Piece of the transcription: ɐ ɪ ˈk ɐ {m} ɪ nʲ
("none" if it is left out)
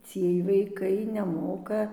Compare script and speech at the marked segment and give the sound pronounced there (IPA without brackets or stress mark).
none